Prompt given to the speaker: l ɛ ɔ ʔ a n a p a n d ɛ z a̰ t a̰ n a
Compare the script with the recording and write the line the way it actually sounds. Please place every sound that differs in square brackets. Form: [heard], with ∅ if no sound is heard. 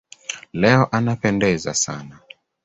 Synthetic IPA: l ɛ ɔ ʔ a n a p [ɛ] n d ɛ z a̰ [s] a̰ n a